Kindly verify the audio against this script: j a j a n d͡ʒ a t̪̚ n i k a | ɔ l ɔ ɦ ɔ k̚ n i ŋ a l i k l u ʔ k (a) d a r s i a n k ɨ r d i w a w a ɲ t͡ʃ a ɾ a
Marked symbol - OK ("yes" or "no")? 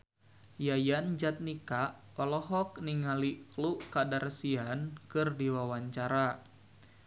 yes